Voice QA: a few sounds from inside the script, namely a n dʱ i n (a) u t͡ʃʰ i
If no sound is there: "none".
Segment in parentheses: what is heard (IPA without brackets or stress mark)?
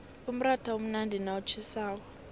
a